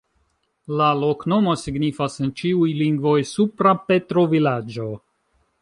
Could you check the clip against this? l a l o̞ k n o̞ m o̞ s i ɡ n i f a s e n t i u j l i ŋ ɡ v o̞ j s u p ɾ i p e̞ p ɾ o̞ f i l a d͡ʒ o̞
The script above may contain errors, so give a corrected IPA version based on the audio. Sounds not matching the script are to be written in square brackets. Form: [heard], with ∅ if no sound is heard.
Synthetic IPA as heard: l a l o̞ k n o̞ m o̞ s i ɡ n i f a s e n [t͡ʃ] i u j l i ŋ ɡ v o̞ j s u p ɾ [a] p e̞ [t] ɾ o̞ [v] i l a d͡ʒ o̞